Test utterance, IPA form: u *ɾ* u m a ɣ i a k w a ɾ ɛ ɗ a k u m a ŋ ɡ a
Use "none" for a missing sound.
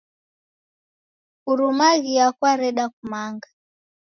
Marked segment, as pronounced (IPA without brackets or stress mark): ɾ